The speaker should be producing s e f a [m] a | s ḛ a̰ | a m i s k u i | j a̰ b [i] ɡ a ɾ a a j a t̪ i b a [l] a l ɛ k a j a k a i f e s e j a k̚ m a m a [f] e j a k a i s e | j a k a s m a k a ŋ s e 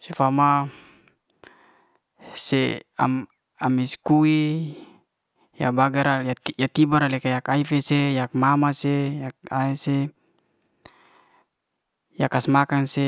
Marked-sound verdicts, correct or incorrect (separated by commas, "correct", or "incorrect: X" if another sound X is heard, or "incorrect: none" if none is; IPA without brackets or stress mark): correct, incorrect: a, incorrect: ɾ, incorrect: s